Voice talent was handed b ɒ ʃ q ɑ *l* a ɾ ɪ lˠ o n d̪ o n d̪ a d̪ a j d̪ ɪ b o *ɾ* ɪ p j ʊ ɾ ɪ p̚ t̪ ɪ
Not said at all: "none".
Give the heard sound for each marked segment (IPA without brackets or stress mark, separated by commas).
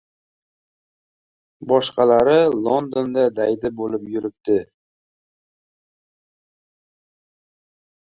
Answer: l, l